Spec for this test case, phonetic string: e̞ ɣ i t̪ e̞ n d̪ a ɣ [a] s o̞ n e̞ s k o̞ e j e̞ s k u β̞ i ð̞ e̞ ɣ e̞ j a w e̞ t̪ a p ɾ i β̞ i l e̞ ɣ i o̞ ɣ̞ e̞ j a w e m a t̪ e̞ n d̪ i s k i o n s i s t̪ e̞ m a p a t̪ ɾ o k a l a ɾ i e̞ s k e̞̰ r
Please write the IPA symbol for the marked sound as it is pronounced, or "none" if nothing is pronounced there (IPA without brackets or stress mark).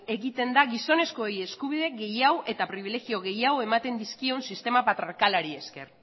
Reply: i